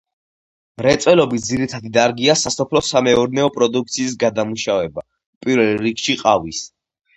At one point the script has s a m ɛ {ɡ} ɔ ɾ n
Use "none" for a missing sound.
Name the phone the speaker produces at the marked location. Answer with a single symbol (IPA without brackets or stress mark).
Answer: none